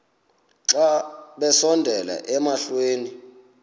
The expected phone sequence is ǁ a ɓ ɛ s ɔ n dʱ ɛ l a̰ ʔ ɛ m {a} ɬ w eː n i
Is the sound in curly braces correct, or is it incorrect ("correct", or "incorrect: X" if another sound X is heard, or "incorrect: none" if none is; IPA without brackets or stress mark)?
correct